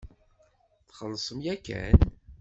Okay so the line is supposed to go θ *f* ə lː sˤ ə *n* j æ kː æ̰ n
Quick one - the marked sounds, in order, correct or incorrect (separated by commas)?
incorrect, incorrect